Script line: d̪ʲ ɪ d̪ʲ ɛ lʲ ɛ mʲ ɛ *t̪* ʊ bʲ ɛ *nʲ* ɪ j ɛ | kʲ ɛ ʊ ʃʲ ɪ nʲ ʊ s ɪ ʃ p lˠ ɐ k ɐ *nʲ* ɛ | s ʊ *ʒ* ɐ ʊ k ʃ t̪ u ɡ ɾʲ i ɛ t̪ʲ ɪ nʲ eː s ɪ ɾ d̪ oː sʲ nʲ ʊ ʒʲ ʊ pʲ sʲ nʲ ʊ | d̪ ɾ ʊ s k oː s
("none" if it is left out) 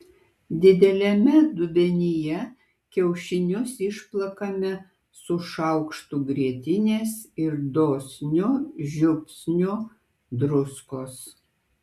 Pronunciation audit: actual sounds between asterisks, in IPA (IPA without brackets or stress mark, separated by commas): d̪, nʲ, mʲ, ʃ